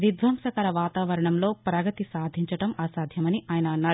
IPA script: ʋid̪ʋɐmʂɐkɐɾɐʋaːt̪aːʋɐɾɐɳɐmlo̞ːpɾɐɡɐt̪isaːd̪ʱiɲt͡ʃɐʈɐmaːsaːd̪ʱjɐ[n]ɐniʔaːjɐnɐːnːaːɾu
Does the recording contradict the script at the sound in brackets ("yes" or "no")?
yes